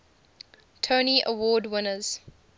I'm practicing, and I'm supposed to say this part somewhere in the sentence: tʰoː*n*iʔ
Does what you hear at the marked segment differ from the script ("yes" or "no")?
no